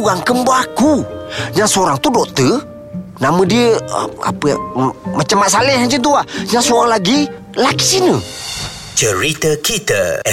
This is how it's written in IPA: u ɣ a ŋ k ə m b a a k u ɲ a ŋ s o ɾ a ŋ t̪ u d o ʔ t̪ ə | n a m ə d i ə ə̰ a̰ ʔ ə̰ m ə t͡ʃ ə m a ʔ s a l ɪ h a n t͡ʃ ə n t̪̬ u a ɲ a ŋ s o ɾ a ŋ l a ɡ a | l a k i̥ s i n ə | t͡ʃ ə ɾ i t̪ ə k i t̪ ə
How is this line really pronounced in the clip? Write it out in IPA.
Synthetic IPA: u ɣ a ŋ k ə m b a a k u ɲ a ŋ s o ɾ a ŋ t̪ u d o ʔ t̪ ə | n a m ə d i ə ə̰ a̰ p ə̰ m ə t͡ʃ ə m a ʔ s a l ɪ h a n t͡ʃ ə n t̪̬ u a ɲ a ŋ s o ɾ a ŋ l a ɡ i | l a k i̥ s i n ə | t͡ʃ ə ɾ i t̪ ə k i t̪ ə